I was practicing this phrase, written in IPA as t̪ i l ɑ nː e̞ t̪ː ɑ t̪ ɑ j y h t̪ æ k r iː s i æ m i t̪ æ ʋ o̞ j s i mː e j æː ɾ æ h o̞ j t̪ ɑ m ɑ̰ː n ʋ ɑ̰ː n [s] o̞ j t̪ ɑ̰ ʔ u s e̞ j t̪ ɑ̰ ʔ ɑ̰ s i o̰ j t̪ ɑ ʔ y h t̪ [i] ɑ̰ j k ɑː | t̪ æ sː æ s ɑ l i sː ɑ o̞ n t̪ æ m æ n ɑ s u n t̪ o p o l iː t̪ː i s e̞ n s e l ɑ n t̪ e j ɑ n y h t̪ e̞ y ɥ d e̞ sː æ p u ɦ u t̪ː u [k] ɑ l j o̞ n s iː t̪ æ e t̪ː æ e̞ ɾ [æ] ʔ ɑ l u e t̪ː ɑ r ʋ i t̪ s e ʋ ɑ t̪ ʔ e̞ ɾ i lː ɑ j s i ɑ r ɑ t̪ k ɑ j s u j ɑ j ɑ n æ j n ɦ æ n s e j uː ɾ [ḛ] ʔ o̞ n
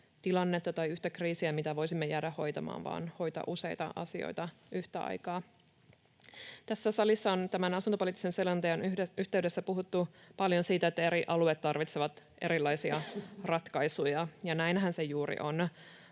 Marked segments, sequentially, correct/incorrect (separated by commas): incorrect, incorrect, incorrect, incorrect, incorrect